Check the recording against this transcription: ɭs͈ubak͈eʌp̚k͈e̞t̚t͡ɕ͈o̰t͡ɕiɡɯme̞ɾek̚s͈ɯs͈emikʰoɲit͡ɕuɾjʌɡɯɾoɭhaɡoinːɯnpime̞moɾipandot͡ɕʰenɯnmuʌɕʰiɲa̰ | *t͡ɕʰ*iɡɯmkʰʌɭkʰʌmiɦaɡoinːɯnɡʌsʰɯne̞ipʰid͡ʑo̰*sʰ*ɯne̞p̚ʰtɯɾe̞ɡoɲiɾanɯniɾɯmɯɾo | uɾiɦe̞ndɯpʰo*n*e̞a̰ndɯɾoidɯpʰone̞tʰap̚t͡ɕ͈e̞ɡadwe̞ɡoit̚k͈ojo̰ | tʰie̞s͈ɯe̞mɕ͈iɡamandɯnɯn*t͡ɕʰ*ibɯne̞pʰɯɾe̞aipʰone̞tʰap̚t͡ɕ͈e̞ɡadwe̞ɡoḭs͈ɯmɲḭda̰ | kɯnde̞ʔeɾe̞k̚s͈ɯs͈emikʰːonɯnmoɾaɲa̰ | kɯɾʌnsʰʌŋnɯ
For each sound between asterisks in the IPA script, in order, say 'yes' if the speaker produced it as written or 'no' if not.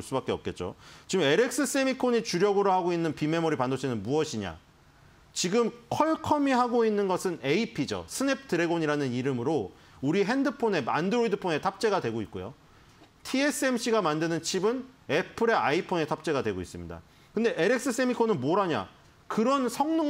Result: no, yes, yes, yes

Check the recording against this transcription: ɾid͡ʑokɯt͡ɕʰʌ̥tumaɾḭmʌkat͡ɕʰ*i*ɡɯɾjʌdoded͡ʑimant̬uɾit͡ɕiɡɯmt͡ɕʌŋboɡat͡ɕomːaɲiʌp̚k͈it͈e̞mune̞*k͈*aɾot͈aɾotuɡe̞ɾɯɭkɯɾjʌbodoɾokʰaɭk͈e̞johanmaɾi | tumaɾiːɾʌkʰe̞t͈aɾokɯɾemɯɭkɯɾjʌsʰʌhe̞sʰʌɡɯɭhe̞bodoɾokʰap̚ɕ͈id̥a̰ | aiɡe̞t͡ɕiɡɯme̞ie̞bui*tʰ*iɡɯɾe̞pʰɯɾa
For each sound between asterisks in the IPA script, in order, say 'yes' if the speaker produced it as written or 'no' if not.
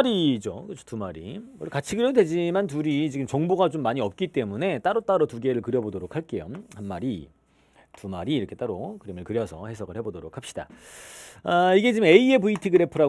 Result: yes, no, yes

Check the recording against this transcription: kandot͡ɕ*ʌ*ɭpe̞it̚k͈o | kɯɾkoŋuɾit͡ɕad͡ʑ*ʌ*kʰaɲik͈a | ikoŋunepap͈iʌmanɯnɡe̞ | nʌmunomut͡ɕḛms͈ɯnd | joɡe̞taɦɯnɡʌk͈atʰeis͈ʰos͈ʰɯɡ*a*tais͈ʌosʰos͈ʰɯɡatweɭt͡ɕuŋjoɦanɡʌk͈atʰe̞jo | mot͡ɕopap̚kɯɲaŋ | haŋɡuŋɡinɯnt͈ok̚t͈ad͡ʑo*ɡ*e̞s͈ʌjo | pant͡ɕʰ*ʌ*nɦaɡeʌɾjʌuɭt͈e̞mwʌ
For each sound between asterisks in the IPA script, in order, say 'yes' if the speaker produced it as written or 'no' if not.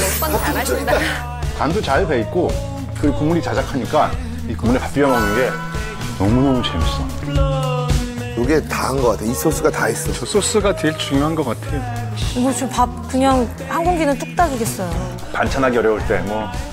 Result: no, no, yes, yes, no

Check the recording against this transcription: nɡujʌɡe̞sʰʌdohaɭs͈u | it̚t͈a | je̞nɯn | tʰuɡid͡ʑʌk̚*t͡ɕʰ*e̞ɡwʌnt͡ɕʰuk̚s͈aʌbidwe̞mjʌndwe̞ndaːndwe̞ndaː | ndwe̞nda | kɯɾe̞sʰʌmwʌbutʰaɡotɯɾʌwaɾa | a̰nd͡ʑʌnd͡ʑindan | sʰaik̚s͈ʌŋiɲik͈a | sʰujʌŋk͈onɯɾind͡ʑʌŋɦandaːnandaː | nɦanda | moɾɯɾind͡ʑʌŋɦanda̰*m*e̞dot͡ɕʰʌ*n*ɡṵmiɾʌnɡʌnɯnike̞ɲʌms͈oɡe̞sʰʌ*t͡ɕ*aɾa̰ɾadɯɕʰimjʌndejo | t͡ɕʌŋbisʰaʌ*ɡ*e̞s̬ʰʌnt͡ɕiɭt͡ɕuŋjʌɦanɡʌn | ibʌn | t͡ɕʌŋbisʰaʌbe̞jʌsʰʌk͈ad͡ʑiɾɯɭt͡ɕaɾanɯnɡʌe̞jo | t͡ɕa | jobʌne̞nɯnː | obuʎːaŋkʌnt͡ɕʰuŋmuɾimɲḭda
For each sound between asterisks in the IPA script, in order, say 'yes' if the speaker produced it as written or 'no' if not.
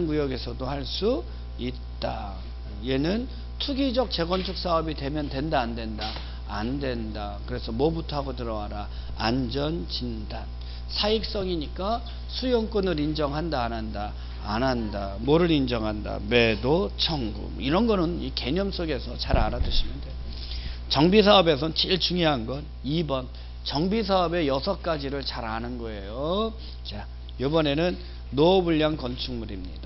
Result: no, yes, no, yes, no

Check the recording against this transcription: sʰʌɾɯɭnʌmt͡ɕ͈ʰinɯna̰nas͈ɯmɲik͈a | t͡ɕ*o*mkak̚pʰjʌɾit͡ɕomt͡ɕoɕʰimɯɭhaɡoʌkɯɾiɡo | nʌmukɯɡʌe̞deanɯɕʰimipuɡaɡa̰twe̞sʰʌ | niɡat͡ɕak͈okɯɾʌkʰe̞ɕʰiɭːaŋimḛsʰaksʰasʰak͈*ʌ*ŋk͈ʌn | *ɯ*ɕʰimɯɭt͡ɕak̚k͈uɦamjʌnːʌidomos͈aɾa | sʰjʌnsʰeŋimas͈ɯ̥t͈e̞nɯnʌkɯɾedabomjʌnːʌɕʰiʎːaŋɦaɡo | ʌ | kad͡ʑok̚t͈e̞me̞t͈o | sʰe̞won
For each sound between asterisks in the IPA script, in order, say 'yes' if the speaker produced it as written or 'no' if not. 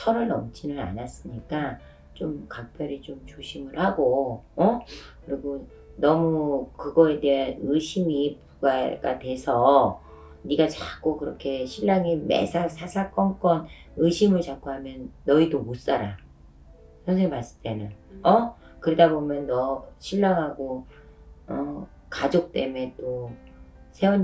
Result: yes, yes, yes

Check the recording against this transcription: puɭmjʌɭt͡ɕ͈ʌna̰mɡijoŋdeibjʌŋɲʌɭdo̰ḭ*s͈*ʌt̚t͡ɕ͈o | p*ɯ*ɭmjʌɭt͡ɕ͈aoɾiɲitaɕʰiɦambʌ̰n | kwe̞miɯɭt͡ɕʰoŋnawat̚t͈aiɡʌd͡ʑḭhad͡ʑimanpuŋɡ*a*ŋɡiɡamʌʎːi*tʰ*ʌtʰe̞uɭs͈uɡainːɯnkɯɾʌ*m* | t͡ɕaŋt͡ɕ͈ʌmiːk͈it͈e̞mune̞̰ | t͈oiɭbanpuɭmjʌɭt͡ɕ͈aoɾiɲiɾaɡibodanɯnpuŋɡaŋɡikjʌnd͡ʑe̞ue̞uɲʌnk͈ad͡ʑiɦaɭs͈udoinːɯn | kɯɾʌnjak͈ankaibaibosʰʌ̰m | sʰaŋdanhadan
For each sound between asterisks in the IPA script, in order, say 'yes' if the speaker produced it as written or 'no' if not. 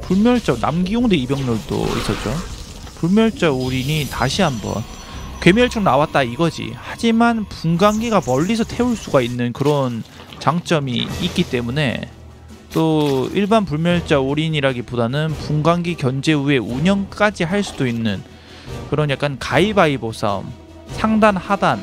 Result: yes, no, yes, no, no

